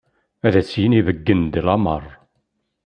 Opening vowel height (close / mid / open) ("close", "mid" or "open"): open